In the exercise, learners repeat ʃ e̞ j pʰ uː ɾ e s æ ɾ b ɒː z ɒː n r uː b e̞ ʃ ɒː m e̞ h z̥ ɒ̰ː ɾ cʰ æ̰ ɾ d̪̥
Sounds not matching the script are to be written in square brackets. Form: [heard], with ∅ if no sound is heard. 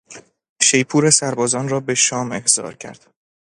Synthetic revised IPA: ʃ e̞ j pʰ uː ɾ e s æ ɾ b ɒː z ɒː n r [ɒː] b e̞ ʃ ɒː m e̞ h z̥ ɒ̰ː ɾ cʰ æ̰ ɾ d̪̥